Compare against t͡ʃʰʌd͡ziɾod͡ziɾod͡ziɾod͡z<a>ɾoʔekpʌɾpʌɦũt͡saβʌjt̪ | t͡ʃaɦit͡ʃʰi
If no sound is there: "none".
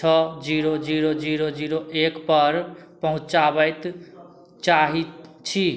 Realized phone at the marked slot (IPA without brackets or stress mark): i